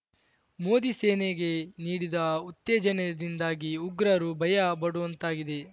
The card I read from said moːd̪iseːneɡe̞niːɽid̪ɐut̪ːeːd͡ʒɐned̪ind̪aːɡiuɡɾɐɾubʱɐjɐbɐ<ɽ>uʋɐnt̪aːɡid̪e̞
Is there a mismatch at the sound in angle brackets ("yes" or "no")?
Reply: no